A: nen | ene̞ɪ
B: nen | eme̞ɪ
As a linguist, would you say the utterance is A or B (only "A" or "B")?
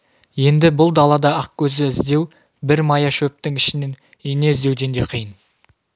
A